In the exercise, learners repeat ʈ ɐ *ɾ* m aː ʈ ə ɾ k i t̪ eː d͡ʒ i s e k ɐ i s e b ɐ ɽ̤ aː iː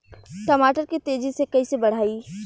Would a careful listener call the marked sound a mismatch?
yes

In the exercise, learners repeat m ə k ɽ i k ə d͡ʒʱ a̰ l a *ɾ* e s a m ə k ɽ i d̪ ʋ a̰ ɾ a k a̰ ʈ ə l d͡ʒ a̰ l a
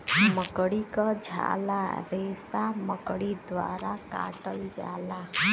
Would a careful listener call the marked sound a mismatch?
no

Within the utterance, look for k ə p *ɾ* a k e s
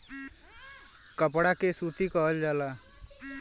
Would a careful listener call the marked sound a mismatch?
yes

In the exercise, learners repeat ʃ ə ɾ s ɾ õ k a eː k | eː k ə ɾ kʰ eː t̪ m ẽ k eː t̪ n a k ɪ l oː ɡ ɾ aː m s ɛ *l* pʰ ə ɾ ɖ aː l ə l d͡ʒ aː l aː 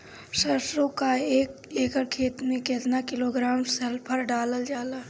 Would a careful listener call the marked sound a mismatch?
no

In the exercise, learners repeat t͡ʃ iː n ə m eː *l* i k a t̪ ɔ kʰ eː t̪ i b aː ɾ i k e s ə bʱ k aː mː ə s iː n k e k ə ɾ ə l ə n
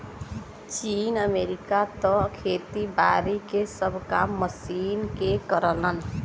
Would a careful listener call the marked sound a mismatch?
yes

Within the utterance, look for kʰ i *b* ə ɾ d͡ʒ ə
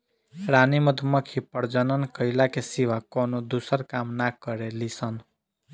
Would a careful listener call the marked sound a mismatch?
yes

